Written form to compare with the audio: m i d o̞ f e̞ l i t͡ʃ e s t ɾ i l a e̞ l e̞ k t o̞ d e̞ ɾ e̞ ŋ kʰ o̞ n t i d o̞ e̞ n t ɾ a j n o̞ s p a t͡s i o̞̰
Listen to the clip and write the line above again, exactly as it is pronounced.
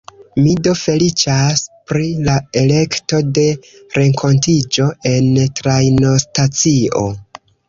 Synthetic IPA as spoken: m i d o̞ f e̞ l i t͡ʃ a s p ɾ i l a e̞ l e̞ k t o̞ d e̞ ɾ e̞ ŋ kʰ o̞ n t i d͡ʒ o̞ e̞ n t ɾ a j n o̞ s t a t͡s i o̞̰